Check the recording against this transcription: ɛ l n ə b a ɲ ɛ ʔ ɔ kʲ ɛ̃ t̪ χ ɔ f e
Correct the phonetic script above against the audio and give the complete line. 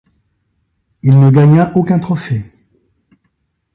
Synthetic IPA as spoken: i l n ə ɡ a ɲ a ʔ o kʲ ɛ̃ t̪ χ ɔ f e